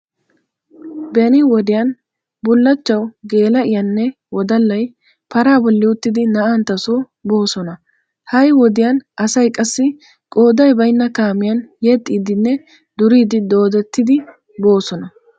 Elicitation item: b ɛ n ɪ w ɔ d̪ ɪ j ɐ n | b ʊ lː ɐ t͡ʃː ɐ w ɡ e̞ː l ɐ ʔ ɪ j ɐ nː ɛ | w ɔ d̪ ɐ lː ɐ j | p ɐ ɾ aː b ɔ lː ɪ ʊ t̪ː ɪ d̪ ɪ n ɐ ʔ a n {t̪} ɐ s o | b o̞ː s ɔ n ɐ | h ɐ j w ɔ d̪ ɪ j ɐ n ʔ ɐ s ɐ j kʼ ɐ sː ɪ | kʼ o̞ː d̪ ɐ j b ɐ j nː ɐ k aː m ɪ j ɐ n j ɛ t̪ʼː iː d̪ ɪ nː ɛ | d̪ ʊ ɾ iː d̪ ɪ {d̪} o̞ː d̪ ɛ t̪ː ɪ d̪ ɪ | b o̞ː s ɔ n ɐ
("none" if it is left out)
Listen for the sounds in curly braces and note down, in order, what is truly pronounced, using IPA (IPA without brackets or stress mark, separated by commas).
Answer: t̪, d̪